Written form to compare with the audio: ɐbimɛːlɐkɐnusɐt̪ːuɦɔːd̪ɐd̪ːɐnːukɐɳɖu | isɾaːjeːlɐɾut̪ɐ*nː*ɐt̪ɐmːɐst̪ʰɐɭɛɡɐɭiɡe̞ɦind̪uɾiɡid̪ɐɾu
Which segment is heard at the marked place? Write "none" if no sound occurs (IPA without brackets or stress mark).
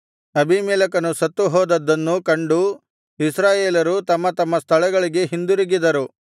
mː